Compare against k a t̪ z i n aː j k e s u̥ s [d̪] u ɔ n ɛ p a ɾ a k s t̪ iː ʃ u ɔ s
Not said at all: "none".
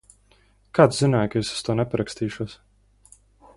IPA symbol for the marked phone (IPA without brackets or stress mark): t̪